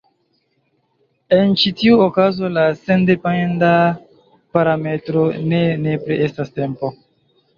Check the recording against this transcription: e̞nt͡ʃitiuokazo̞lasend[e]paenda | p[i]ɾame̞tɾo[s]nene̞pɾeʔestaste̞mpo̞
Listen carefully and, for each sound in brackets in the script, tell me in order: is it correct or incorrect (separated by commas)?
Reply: correct, incorrect, incorrect